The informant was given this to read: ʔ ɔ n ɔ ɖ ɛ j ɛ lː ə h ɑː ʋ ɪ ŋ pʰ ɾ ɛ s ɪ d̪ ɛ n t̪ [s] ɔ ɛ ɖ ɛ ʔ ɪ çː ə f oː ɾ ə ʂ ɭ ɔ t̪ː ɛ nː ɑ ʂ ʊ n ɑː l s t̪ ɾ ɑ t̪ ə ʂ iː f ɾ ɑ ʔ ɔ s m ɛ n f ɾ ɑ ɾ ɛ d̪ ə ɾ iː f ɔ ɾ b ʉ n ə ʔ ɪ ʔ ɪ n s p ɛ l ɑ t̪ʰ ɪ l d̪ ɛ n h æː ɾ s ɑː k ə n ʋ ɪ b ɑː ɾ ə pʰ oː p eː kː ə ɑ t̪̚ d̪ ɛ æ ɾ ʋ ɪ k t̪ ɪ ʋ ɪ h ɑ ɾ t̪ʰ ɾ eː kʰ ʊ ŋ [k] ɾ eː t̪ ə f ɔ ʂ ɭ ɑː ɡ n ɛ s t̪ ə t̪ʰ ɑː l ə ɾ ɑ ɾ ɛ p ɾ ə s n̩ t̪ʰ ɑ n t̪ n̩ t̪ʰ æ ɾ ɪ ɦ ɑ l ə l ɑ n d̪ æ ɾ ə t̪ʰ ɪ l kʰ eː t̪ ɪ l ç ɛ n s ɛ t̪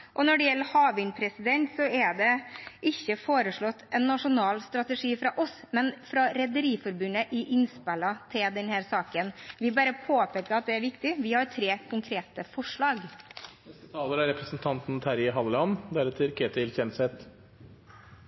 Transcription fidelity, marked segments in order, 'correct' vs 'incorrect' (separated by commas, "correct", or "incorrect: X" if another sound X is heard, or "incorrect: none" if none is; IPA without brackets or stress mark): correct, incorrect: kʰ